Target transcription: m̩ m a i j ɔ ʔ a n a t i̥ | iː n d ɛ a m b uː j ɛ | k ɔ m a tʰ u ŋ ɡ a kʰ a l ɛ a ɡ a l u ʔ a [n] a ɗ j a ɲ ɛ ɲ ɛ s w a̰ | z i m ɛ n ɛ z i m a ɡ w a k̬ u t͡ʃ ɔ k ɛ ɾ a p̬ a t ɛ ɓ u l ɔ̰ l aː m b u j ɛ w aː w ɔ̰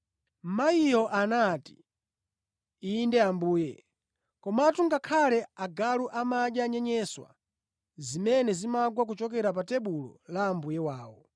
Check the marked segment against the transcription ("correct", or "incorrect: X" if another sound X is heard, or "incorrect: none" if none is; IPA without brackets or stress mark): incorrect: m